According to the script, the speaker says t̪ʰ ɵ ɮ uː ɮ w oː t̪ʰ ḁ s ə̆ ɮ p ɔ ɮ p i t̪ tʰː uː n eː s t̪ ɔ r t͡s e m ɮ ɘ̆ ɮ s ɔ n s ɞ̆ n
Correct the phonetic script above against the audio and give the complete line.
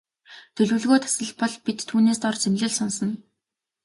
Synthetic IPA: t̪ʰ ɵ ɮ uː ɮ ɣ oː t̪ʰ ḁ s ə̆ ɮ p ɔ ɮ p i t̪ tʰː uː n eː s t̪ ɔ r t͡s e m ɮ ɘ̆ ɮ s ɔ n s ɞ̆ n